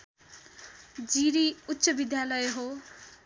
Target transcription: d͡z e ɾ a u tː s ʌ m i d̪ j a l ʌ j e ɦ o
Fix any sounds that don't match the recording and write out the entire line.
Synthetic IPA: d͡z i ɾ i u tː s ʌ b i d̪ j a l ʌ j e ɦ o